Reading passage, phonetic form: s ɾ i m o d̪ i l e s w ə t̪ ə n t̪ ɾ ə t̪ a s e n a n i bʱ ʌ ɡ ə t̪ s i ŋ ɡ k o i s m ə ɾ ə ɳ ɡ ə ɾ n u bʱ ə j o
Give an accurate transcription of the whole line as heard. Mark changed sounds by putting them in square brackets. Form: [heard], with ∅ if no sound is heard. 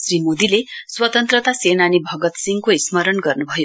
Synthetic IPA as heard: s ɾ i m o d̪ i l e s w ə t̪ ə n t̪ ɾ ə t̪ a s e n a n i bʱ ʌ ɡ ə t̪ s i ŋ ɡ k o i s m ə ɾ ə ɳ ɡ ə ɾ n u bʱ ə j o